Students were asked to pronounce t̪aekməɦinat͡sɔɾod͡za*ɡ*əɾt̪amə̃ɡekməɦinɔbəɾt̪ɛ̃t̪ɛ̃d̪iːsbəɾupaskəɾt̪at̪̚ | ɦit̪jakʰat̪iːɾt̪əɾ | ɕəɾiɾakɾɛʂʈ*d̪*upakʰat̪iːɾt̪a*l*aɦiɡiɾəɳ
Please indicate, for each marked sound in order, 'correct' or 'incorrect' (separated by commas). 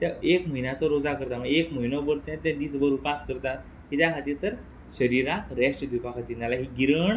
incorrect, correct, correct